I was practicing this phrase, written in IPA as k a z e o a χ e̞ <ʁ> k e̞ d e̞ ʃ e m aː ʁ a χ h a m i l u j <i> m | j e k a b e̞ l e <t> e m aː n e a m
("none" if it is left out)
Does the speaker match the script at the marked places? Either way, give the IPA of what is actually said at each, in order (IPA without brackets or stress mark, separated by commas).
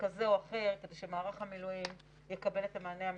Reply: ʁ, i, t